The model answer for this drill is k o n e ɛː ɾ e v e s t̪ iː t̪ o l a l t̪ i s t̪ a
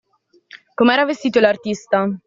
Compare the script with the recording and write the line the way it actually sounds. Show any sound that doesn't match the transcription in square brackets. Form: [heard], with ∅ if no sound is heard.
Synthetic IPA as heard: k o [m] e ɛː ɾ [a] v e s t̪ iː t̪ o l a [r] t̪ i s t̪ a